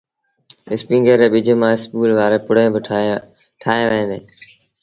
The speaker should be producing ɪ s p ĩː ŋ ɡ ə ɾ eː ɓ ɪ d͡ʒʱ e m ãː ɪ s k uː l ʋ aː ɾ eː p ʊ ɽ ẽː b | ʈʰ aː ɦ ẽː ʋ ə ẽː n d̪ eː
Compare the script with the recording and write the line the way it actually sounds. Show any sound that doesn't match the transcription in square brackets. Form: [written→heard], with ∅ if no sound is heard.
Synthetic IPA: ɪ s p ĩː ŋ ɡ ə ɾ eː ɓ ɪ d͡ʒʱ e m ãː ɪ s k uː l ʋ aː ɾ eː p ʊ ɽ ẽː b | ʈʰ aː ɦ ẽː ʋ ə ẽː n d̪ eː